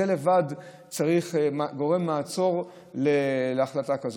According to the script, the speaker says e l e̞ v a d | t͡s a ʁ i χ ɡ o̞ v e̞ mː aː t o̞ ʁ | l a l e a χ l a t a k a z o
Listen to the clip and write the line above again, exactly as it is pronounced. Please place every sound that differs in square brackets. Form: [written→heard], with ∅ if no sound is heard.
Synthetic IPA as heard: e l e̞ v a d | t͡s a ʁ i χ ɡ o̞ [v→ʁ] e̞ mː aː [t→t͡s] o̞ ʁ | l [a→e] l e a χ l a t a k a z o